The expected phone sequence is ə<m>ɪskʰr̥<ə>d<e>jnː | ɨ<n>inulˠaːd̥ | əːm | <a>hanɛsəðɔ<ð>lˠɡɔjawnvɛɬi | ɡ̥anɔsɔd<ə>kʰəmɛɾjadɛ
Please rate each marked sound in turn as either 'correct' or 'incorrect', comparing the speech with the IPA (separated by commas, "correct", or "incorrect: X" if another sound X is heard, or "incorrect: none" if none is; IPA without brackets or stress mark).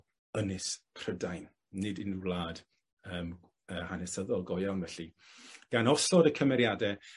incorrect: n, correct, incorrect: a, incorrect: d, incorrect: ə, incorrect: none, correct